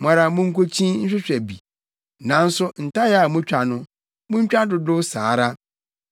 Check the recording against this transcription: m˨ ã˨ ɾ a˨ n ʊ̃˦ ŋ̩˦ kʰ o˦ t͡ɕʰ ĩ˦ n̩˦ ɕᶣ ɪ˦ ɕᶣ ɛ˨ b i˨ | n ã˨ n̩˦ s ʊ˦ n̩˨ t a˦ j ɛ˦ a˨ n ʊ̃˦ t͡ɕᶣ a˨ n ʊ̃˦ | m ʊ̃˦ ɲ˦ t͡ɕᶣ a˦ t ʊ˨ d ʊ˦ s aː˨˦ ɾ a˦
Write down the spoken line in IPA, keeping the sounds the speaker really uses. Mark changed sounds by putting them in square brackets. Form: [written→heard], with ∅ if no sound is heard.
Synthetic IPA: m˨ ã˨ ɾ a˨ [n→m] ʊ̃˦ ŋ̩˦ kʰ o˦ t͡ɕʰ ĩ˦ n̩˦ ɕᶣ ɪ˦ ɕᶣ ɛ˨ b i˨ | n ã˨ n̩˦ s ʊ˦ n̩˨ t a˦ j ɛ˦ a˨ [n→m] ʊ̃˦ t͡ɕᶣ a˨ n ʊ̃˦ | m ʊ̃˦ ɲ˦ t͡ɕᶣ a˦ [t→d] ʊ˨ d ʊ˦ s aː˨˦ ɾ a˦